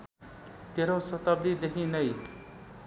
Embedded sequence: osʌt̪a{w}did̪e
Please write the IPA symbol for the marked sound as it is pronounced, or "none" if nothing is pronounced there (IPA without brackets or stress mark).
b